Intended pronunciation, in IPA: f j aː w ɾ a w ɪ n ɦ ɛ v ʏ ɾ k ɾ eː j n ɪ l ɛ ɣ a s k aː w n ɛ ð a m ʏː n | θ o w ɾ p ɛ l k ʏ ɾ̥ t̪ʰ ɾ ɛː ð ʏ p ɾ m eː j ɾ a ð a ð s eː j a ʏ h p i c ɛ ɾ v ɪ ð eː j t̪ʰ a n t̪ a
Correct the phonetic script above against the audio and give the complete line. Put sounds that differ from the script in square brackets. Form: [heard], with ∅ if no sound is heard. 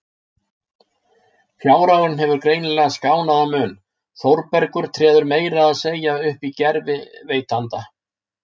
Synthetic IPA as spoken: f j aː w ɾ a w ɪ n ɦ ɛ v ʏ ɾ k ɾ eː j n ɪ l ɛ ɣ a s k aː w n [a] ð a m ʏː n | θ o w ɾ p ɛ [ɾ] k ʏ ɾ̥ t̪ʰ ɾ ɛː ð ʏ [∅] ɾ m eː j ɾ a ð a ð s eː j a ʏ h p i c ɛ ɾ v ɪ [v] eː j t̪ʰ a n t̪ a